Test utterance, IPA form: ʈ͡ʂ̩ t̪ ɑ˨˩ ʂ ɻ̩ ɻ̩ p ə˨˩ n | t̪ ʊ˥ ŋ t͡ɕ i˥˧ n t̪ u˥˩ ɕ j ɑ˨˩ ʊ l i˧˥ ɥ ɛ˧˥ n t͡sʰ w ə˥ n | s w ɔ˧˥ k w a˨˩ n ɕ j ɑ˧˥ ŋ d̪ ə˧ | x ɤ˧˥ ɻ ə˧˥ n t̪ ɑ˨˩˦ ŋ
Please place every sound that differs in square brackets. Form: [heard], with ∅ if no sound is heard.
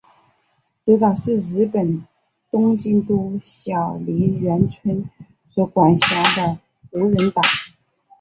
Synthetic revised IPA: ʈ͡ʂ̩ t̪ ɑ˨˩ ʂ ɻ̩ ɻ̩ p ə˨˩ n | t̪ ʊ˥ ŋ t͡ɕ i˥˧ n t̪ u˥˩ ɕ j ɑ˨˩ ʊ l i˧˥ ɥ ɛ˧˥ n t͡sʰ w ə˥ n | s w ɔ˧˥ k w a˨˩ n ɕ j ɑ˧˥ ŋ d̪ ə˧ | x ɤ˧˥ ɻ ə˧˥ n t̪ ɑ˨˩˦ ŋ